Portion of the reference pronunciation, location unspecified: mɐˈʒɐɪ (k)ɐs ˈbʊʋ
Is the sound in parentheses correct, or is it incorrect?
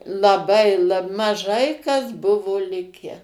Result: correct